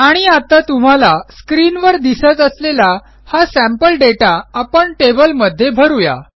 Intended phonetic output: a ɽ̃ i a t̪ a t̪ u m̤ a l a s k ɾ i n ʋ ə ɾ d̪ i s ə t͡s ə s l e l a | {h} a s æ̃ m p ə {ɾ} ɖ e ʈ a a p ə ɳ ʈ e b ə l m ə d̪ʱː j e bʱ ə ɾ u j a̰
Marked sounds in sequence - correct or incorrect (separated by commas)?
correct, incorrect